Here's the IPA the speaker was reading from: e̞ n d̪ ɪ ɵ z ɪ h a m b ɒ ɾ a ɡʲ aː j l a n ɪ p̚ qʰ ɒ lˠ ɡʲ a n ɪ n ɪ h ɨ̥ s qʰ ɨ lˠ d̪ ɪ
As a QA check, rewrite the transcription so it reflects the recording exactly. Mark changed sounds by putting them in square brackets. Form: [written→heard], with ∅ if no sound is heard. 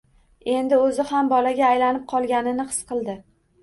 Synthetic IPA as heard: e̞ n d̪ ɪ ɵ z ɪ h a m b ɒ [ɾ→l] a ɡʲ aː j l a n ɪ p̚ qʰ ɒ lˠ ɡʲ a n ɪ n ɪ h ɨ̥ s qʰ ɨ lˠ d̪ ɪ

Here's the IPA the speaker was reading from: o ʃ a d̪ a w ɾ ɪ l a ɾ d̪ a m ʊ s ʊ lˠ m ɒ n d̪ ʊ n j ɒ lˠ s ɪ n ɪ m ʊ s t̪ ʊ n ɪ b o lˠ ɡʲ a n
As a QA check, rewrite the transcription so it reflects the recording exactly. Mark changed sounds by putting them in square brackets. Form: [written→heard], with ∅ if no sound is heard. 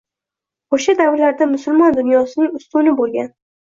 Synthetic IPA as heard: o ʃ a d̪ a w ɾ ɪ l a ɾ d̪ a m ʊ s ʊ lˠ m ɒ n d̪ ʊ n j ɒ [lˠ→∅] s ɪ n ɪ [m→ŋ] ʊ s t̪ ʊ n ɪ b o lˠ ɡʲ a n

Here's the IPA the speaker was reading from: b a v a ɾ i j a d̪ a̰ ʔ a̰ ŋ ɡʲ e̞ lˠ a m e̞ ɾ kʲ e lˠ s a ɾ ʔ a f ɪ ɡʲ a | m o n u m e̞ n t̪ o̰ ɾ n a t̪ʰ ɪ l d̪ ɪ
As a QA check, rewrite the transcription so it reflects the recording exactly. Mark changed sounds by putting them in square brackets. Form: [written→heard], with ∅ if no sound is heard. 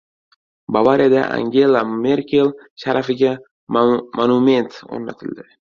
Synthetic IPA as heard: b a v a ɾ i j a d̪ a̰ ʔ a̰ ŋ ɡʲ e̞ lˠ a m e̞ ɾ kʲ e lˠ [s→ʃ] a ɾ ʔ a f ɪ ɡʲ a | m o n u m e̞ n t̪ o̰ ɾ n a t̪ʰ ɪ l d̪ ɪ

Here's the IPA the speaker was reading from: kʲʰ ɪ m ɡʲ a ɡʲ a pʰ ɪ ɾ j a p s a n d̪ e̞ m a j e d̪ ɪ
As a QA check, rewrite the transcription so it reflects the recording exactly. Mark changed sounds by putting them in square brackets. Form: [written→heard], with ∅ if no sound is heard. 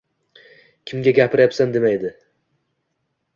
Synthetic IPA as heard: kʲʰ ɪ m ɡʲ a ɡʲ a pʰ ɪ ɾ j a p s a n d̪ e̞ m a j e d̪ ɪ

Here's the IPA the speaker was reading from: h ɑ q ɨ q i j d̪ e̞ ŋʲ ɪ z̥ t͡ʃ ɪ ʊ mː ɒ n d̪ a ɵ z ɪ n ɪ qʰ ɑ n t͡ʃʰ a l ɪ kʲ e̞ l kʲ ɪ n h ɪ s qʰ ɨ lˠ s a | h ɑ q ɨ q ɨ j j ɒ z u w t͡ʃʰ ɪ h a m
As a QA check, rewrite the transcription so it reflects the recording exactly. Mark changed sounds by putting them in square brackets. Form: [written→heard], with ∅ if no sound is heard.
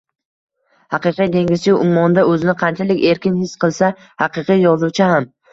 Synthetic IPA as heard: h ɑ q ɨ q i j d̪ e̞ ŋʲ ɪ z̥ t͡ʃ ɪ ʊ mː ɒ n d̪ a ɵ z ɪ n ɪ qʰ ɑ n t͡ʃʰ a l ɪ kʲ e̞ [l→ɾ] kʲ ɪ n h ɪ s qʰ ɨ lˠ s a | h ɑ q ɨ q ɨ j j ɒ z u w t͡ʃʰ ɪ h a m

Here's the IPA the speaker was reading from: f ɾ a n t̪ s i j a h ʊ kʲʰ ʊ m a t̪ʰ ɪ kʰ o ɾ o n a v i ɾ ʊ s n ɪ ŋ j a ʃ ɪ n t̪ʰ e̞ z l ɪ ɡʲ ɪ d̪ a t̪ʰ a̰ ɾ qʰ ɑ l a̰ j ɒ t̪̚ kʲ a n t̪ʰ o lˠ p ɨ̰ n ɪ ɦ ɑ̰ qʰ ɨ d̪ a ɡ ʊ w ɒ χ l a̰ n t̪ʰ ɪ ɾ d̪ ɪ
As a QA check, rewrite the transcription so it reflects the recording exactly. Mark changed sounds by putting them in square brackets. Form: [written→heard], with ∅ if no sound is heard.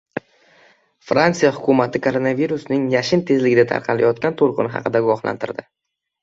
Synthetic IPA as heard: f ɾ a n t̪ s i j a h ʊ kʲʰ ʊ m a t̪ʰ ɪ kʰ o ɾ o n a v i ɾ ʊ s n ɪ ŋ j a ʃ ɪ n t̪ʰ e̞ z l ɪ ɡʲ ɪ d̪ a t̪ʰ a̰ ɾ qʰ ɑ l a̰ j ɒ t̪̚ kʲ a n t̪ʰ o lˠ [p→q] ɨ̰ n ɪ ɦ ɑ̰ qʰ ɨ d̪ a ɡ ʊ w ɒ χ l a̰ n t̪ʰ ɪ ɾ d̪ ɪ

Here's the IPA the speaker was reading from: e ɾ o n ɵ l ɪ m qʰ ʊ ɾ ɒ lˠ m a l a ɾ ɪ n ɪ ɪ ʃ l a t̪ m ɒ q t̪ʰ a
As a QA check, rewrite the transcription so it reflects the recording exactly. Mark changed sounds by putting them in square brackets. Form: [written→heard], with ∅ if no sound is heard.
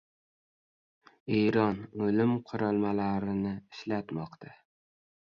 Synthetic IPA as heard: e ɾ [o→ɒ] n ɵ l ɪ m qʰ ʊ ɾ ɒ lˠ m a l a ɾ ɪ n ɪ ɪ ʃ l a t̪ m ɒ q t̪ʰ a

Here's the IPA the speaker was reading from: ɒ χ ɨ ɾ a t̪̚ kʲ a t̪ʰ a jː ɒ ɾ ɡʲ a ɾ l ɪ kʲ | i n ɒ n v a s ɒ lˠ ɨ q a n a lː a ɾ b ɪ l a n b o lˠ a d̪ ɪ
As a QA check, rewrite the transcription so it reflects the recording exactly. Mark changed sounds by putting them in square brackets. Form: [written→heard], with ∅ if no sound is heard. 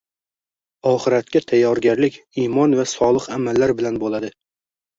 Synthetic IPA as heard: ɒ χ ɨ ɾ a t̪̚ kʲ a t̪ʰ a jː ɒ ɾ ɡʲ a ɾ l ɪ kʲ | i [n→m] ɒ n v a s ɒ lˠ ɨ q a [n→m] a lː a ɾ b ɪ l a n b o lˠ a d̪ ɪ

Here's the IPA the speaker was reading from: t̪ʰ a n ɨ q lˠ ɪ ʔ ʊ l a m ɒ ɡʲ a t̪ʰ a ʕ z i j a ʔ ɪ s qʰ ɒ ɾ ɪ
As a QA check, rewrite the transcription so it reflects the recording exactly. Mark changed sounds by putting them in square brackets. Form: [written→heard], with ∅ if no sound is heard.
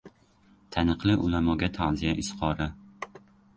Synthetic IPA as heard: t̪ʰ a n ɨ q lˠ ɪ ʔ ʊ l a m ɒ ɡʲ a t̪ʰ a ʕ z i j a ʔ ɪ s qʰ ɒ ɾ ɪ

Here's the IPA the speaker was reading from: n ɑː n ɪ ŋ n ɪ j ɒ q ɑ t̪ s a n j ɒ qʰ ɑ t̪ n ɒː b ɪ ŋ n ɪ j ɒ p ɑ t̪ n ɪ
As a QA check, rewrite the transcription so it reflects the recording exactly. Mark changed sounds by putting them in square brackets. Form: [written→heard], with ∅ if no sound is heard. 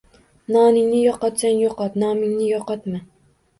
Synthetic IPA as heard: n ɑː n ɪ ŋ n ɪ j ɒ q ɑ t̪ s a n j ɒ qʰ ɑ t̪ n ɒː [b→m] ɪ ŋ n ɪ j ɒ [p→q] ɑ t̪ [n→m] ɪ

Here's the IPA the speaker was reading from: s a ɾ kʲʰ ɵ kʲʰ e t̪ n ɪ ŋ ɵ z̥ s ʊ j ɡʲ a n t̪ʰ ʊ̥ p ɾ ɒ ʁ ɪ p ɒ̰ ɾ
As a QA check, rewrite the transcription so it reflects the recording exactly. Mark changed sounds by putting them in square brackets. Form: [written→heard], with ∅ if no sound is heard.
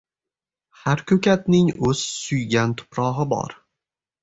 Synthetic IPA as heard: [s→h] a ɾ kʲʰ ɵ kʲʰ [e→a] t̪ n ɪ ŋ ɵ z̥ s ʊ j ɡʲ a n t̪ʰ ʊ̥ p ɾ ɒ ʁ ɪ [p→b] ɒ̰ ɾ

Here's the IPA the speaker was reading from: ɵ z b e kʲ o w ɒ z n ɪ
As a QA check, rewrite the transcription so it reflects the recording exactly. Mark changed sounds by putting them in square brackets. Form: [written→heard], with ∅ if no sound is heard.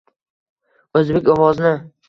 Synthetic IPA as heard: ɵ z b e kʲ [o→ɒ] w ɒ z n ɪ

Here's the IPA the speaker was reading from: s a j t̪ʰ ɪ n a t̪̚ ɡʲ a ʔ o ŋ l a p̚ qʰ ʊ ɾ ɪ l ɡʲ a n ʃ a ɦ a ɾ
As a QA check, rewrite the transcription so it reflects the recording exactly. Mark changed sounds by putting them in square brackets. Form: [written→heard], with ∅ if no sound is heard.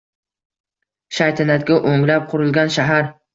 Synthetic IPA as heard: [s→ʃ] a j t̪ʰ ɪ n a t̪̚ ɡʲ a ʔ o ŋ l a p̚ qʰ ʊ ɾ ɪ l ɡʲ a n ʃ a ɦ a ɾ

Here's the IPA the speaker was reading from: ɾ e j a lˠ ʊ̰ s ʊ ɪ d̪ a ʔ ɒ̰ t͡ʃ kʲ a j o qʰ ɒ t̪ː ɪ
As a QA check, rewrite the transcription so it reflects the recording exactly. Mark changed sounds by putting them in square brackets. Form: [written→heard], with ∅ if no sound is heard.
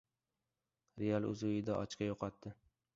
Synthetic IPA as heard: ɾ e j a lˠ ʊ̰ [s→z] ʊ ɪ d̪ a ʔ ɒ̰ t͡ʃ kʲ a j o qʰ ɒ t̪ː ɪ

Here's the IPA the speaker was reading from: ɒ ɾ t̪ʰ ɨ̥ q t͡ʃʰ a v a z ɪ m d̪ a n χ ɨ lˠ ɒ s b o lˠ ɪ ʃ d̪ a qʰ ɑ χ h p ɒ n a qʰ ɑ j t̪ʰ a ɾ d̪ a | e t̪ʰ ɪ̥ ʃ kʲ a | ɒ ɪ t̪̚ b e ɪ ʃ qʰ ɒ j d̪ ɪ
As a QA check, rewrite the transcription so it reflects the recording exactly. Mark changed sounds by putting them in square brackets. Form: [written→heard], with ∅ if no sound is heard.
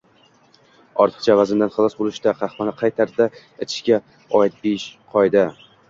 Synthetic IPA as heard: ɒ ɾ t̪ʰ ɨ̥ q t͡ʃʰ a v a z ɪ m d̪ a n χ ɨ lˠ ɒ s b o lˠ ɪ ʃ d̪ a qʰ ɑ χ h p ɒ n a qʰ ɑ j t̪ʰ a ɾ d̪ a | e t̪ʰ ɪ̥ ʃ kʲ a | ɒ ɪ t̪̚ b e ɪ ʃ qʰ ɒ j d̪ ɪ

